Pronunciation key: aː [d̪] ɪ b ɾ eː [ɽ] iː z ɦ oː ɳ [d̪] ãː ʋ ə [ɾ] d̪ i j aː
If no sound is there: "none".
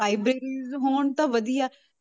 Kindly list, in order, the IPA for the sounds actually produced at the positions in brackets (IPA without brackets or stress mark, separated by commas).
none, ɾ, t̪, none